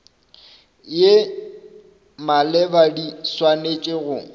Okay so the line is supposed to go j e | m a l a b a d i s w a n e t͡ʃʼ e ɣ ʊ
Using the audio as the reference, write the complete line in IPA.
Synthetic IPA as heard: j e | m a l ɛ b a d i s w a n e t͡ʃʼ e ɣ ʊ